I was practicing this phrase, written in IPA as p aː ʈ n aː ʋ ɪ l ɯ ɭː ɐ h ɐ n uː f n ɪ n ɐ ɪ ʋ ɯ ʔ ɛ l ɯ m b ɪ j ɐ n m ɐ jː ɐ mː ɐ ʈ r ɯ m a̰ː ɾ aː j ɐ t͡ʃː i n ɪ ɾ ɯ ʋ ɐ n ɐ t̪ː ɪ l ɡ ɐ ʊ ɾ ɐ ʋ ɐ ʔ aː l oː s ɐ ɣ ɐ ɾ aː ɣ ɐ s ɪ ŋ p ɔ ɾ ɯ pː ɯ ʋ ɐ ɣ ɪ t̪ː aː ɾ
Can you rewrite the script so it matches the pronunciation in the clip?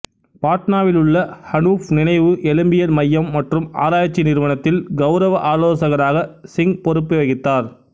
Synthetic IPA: p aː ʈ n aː ʋ ɪ l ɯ ɭː ɐ h ɐ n uː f n ɪ n ɐ ɪ ʋ ɯ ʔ ɛ l ɯ m b ɪ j ɐ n m ɐ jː ɐ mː ɐ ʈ r ɯ m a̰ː ɾ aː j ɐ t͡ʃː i n ɪ ɾ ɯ ʋ ɐ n ɐ t̪ː ɪ l ɡ ɐ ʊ ɾ ɐ ʋ ɐ ʔ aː l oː s ɐ ɣ ɐ ɾ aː ɣ ɐ s ɪ ŋ p ɔ ɾ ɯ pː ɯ ʋ ɐ ɣ ɪ t̪ː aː ɾ